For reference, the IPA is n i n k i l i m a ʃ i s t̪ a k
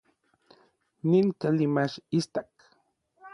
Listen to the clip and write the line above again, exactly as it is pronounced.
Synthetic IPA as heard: n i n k a l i m a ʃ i s t̪ a k